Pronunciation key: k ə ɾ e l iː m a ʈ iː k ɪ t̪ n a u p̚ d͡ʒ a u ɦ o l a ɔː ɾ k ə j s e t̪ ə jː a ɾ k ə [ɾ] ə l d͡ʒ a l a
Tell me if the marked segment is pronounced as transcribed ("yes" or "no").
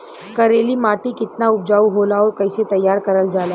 yes